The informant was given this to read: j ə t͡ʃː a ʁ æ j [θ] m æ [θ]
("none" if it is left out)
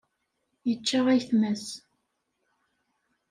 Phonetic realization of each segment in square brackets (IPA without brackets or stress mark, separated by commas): θ, s